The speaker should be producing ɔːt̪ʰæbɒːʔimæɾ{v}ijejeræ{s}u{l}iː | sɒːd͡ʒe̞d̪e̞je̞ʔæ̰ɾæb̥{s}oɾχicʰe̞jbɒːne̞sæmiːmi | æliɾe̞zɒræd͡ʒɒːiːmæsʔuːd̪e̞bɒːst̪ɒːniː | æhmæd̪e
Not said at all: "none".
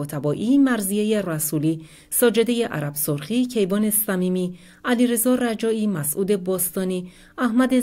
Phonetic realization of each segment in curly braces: z, s, l, s

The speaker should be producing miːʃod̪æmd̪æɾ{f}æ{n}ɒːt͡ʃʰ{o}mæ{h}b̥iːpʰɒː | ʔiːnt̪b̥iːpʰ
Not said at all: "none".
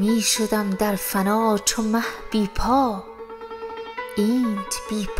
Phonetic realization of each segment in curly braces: f, n, o, h

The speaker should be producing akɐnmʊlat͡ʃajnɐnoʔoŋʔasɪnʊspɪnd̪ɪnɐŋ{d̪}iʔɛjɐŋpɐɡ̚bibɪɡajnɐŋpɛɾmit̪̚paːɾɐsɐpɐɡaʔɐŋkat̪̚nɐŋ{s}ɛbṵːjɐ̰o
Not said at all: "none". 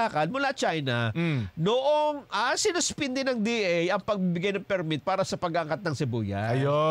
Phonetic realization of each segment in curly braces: d̪, s

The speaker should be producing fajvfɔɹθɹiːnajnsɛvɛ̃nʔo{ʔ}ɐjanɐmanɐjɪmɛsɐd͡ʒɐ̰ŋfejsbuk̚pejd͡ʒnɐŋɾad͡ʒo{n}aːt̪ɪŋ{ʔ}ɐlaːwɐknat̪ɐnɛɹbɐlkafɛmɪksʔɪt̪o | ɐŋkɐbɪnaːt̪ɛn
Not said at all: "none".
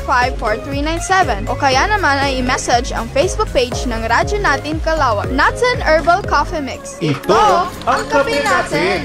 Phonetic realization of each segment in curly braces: k, n, k

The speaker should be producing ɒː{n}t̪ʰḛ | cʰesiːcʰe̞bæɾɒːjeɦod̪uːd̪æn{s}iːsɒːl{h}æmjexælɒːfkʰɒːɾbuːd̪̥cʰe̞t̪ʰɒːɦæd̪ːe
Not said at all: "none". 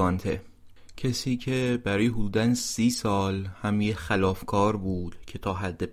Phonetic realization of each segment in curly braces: n, s, h

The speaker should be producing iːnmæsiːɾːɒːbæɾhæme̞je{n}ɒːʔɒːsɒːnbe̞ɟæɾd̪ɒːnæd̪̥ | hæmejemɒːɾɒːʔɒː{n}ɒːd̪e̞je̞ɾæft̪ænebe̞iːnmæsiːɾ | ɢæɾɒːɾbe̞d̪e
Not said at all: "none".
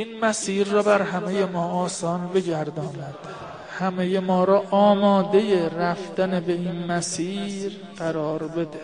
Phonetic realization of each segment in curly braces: m, m

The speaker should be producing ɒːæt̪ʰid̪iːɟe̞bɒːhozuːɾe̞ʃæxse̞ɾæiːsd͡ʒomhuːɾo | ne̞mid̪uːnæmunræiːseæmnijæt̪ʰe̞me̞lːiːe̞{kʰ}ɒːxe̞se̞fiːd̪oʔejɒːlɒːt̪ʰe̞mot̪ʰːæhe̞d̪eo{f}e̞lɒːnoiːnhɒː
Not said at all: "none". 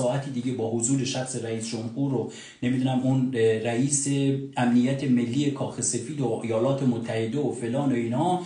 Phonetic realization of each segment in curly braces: kʰ, f

